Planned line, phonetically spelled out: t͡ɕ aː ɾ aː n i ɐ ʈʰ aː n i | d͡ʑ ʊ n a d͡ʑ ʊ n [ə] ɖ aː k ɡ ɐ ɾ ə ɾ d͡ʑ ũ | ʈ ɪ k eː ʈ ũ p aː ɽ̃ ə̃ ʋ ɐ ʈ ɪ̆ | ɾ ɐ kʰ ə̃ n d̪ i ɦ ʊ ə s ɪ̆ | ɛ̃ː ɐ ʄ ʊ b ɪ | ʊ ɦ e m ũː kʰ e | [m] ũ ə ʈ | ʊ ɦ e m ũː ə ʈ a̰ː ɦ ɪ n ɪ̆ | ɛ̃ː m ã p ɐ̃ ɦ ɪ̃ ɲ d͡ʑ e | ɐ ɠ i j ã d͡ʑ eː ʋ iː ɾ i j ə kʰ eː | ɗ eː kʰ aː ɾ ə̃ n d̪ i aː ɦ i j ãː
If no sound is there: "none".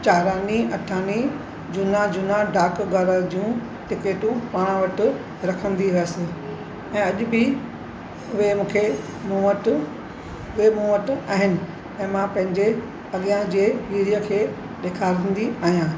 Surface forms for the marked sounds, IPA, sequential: a, m

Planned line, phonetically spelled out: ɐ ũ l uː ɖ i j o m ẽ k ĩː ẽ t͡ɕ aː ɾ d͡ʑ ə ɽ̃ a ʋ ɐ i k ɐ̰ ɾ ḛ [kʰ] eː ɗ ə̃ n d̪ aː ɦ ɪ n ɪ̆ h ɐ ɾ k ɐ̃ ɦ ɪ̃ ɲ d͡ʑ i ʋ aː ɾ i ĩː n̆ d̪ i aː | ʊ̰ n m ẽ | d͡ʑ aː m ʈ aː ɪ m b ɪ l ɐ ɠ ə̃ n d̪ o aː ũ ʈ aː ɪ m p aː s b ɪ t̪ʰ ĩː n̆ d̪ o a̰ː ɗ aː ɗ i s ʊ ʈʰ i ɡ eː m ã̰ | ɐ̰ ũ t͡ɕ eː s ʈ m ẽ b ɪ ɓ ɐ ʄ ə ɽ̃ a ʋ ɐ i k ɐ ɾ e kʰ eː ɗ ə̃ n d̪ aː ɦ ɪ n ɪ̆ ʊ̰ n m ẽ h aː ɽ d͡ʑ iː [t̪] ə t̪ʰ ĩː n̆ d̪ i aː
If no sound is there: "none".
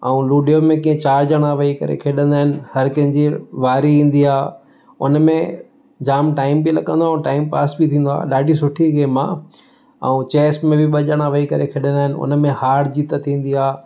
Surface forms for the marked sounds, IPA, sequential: kʰ, t̪

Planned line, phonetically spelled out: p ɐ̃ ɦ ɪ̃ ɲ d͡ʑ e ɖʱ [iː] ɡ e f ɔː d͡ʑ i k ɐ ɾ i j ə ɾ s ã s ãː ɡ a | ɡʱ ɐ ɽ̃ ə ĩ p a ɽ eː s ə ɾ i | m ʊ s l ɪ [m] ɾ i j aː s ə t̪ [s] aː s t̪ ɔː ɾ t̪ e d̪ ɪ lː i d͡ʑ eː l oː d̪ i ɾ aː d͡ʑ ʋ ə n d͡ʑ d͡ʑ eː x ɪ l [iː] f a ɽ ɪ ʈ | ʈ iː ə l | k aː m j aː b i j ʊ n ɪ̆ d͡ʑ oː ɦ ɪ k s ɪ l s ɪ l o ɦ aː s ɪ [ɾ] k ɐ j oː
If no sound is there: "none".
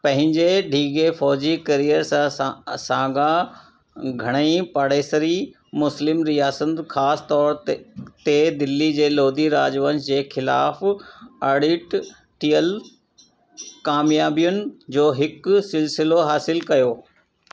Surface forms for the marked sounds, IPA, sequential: iː, m, x, aː, l

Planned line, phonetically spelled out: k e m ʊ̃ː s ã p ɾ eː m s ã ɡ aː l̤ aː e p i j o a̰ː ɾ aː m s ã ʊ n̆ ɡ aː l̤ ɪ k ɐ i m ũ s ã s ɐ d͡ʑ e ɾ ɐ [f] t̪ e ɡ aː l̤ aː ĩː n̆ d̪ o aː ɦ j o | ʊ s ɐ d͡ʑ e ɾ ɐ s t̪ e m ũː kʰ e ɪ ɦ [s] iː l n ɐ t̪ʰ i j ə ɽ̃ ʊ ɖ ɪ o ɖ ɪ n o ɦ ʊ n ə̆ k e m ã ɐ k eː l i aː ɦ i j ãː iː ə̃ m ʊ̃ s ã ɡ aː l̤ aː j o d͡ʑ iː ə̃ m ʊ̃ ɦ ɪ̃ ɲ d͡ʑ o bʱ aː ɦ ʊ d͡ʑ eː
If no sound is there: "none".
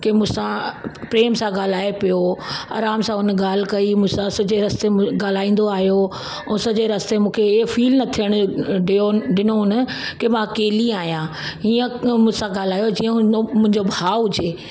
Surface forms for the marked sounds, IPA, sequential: s, f

